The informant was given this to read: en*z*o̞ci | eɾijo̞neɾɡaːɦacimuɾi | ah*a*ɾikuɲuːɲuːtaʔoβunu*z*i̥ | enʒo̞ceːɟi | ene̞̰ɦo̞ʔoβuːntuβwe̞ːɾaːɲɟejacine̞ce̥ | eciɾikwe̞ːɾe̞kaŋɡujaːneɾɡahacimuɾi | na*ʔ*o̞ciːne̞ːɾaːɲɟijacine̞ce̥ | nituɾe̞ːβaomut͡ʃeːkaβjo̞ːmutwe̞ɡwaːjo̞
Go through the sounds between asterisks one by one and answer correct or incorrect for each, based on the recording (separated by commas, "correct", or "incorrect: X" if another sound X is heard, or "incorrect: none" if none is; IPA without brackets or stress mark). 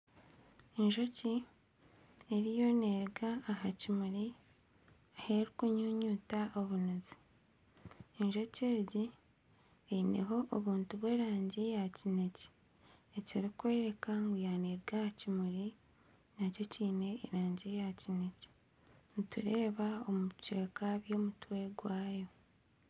incorrect: ʒ, incorrect: e, correct, incorrect: c